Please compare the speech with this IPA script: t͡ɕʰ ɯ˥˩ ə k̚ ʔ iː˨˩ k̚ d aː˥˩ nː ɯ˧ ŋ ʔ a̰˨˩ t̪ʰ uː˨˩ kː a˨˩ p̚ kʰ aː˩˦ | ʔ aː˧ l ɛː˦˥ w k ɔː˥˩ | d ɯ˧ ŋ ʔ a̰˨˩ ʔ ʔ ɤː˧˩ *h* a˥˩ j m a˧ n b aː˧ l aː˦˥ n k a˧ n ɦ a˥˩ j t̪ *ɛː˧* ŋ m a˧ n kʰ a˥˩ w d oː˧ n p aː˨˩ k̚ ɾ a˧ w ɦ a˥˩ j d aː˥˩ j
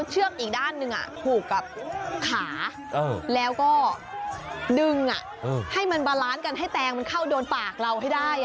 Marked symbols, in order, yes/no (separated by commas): yes, yes